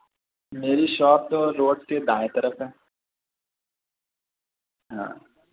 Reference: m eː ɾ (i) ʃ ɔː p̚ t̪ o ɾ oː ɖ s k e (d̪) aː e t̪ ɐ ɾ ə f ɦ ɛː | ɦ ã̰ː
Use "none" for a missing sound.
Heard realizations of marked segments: i, d̪

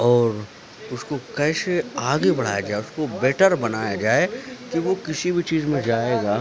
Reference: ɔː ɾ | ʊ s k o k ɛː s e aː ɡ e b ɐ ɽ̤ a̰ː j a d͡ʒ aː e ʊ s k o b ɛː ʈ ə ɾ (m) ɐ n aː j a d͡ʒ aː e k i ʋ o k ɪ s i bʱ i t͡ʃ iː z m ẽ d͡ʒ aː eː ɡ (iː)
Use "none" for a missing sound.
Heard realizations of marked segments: b, aː

